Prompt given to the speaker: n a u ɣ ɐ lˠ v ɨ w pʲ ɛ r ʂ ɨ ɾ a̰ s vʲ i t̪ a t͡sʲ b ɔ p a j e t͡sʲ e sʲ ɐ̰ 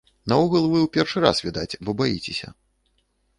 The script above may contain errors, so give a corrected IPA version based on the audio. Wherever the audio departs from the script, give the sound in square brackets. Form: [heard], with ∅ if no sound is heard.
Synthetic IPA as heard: n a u ɣ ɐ lˠ v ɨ w pʲ ɛ r ʂ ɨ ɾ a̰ s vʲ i [d̪] a t͡sʲ b ɔ [b] a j [i] t͡sʲ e sʲ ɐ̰